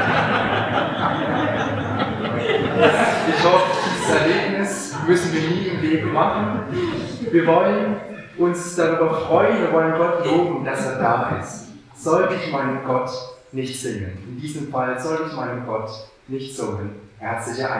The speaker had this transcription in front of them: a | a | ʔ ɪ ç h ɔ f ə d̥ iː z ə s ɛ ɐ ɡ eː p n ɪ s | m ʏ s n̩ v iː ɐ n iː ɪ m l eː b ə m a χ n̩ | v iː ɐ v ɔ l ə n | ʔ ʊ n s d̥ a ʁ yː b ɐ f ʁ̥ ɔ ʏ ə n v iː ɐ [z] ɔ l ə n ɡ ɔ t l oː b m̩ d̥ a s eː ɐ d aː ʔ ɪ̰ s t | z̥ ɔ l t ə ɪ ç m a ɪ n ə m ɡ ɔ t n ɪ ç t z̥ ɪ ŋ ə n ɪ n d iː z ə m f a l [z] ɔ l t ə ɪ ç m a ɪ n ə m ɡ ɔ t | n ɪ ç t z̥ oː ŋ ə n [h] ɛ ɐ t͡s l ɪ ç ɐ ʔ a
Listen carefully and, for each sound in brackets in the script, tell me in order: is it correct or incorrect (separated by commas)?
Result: incorrect, correct, correct